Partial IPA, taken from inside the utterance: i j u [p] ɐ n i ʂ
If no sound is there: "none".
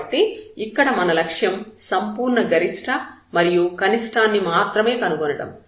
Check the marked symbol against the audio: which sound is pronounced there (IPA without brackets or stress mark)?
k